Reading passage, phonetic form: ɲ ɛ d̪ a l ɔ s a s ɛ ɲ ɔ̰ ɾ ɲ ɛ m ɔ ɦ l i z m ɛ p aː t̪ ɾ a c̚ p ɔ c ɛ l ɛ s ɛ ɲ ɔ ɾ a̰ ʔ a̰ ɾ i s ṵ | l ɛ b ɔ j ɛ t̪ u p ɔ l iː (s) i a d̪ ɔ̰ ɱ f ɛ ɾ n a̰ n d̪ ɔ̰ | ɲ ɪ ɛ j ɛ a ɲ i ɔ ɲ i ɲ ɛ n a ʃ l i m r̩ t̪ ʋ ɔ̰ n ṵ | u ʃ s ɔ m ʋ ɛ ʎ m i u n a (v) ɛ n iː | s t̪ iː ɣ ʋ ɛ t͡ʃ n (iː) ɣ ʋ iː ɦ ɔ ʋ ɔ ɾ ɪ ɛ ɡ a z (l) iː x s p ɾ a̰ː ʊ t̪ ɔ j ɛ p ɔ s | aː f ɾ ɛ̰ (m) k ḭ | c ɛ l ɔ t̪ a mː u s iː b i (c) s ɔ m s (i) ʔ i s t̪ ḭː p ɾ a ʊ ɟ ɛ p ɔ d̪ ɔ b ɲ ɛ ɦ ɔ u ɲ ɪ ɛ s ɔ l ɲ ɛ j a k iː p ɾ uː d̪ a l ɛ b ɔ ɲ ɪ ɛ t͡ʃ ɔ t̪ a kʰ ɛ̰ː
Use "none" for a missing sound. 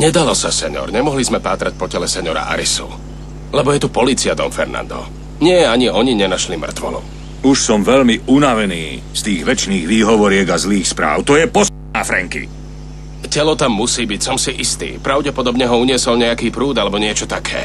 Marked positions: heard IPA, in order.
t͡s, ʋ, iː, l, ŋ, c, i

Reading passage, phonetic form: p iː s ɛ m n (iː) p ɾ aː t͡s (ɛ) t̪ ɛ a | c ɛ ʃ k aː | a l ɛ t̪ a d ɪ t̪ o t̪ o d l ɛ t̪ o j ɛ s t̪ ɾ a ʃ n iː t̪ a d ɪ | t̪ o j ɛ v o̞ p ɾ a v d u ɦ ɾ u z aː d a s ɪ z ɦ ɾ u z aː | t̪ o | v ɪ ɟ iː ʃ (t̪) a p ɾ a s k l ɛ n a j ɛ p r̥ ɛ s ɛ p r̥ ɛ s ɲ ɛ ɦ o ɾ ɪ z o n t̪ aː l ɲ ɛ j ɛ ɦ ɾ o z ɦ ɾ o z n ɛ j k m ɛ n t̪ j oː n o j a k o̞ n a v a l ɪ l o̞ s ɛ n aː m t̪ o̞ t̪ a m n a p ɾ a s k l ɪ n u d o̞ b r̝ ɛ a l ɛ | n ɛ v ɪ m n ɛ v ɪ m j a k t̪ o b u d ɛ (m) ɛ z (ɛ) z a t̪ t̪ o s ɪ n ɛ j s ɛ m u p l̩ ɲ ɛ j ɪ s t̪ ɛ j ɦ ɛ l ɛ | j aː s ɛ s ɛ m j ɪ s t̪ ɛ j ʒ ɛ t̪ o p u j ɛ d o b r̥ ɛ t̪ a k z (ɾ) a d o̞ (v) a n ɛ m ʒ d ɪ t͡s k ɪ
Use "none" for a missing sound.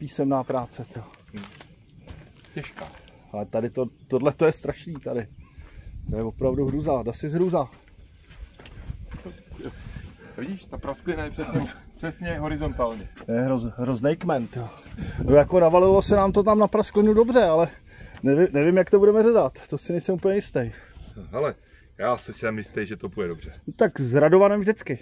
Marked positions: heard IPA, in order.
aː, ɛ, t̪, m, ɛ, ɾ, v

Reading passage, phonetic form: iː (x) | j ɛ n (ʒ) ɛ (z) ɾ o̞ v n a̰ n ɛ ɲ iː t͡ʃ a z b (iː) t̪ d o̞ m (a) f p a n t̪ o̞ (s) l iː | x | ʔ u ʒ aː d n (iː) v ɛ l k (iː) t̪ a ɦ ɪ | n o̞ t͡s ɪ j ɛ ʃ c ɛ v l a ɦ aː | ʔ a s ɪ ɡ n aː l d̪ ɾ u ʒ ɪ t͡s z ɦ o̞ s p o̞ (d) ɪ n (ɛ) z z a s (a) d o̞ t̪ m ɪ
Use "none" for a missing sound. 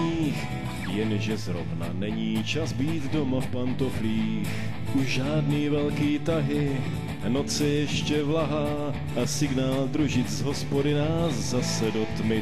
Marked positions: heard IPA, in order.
x, ʒ, z, iː, a, f, iː, iː, d, a, ɛ

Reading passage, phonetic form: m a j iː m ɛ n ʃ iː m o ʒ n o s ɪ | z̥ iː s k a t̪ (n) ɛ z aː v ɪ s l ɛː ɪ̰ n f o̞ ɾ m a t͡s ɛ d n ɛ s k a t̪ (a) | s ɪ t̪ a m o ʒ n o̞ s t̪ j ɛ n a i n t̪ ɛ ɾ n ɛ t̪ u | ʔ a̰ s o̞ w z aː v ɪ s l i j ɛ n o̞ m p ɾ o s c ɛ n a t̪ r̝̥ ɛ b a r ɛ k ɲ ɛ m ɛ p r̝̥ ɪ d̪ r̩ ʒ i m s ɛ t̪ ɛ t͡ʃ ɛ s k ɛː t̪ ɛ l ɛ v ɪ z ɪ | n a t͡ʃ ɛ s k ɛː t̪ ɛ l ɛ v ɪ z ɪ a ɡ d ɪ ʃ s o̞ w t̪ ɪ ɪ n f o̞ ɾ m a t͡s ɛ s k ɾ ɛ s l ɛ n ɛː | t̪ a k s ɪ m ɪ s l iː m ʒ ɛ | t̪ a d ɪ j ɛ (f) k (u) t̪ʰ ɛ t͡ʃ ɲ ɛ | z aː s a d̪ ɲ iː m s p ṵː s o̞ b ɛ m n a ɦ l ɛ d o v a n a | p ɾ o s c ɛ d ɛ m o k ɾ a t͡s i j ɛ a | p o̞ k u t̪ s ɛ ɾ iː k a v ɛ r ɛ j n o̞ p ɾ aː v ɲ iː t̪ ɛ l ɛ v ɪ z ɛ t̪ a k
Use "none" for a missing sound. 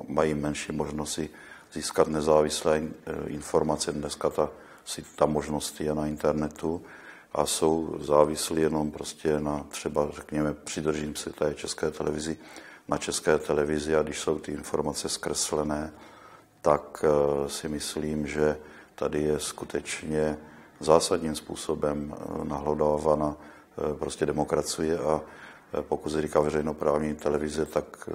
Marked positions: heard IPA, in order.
n, a, s, u

